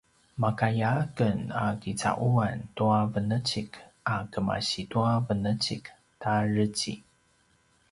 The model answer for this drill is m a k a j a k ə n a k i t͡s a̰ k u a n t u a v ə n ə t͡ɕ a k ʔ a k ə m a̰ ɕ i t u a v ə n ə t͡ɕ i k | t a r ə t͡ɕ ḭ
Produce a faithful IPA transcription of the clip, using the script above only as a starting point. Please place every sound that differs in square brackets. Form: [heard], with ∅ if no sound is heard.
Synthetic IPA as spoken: m a k a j a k ə n a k i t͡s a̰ [ʔ] u a n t u a v ə n ə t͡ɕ [i] k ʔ a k ə m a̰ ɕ i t u a v ə n ə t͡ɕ i k | t a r ə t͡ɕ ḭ